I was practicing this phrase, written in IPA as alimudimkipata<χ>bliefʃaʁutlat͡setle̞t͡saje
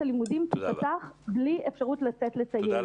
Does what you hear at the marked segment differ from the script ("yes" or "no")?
no